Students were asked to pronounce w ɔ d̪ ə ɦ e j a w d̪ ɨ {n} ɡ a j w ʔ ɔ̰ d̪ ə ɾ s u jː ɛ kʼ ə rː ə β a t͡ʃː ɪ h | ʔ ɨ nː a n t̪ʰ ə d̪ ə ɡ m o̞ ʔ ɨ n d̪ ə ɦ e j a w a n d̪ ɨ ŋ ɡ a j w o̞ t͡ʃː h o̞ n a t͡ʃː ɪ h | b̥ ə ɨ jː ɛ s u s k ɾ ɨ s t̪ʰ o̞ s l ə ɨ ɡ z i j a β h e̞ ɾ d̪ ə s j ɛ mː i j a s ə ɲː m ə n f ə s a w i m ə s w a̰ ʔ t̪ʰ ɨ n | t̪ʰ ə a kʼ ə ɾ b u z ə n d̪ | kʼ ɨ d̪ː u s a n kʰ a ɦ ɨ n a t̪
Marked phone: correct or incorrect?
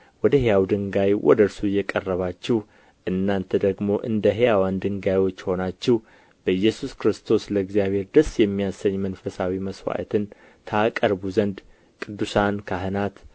incorrect